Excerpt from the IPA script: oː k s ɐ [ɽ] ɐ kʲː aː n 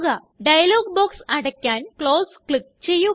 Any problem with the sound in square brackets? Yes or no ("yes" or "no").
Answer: no